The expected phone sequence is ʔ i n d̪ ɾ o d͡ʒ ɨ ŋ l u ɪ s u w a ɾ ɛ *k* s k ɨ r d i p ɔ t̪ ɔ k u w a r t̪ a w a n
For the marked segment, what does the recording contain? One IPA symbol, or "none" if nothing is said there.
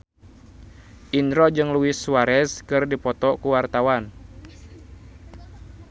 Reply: none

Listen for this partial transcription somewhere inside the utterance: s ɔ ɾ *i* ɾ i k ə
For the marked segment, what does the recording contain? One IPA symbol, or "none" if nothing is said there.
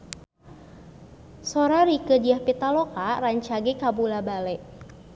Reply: a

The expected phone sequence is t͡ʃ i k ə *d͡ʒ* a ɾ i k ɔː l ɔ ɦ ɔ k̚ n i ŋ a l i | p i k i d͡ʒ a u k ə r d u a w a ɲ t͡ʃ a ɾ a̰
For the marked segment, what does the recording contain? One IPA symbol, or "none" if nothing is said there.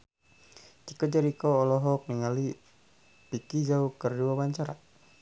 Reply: d͡ʒ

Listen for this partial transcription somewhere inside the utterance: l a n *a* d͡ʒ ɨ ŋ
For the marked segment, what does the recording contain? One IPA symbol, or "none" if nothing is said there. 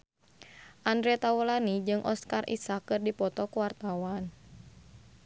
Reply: i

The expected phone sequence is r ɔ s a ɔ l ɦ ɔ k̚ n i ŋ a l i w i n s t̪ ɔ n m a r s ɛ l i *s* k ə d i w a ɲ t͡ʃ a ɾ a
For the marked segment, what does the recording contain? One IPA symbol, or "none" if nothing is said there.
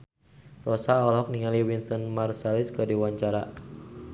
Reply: s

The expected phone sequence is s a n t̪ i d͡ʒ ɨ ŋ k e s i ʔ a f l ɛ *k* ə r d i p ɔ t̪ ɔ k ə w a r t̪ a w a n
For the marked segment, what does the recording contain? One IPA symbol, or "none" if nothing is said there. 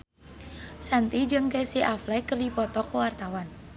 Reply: k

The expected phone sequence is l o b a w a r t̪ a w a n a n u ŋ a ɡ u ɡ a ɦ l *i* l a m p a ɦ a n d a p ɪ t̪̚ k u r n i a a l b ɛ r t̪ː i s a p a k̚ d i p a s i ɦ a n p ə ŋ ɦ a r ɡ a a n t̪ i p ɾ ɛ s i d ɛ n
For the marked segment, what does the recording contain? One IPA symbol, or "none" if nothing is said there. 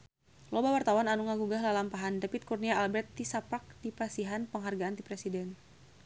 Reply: a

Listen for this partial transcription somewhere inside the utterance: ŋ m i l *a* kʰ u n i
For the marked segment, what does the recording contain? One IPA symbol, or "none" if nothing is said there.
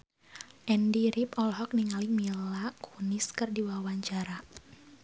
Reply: a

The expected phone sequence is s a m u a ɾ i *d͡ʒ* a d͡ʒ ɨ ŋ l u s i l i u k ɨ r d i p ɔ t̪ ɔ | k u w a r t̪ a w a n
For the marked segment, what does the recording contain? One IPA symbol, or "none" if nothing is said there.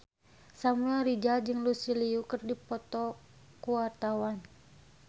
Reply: d͡ʒ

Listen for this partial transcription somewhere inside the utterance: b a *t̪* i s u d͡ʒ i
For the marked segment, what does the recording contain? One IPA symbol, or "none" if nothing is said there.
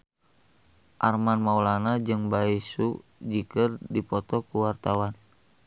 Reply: none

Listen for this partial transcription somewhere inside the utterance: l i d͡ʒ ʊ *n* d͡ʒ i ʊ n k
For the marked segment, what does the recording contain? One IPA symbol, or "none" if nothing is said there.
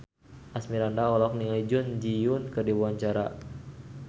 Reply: n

